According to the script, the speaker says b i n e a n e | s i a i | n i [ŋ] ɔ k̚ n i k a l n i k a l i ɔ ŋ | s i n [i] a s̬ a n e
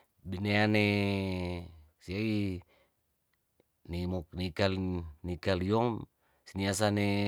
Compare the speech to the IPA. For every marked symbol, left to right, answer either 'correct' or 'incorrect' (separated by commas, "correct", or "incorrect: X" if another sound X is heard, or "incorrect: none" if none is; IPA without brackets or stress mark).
incorrect: m, correct